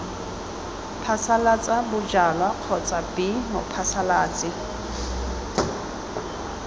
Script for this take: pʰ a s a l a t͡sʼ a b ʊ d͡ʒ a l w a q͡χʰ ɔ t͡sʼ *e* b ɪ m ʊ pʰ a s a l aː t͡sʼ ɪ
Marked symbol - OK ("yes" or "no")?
no